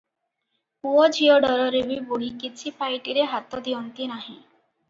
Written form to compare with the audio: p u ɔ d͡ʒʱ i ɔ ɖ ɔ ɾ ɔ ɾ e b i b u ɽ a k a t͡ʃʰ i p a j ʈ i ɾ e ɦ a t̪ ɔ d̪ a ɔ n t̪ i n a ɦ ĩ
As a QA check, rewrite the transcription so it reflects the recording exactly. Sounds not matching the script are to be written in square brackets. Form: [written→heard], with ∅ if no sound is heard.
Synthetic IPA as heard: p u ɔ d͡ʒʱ i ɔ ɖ ɔ ɾ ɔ ɾ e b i b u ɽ [a→i] k [a→i] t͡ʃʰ i p a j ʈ i ɾ e ɦ a t̪ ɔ d̪ [a→i] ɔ n t̪ i n a ɦ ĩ